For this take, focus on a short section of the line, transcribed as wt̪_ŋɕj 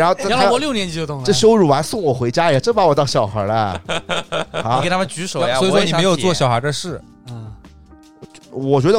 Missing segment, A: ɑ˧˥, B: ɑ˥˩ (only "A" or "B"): B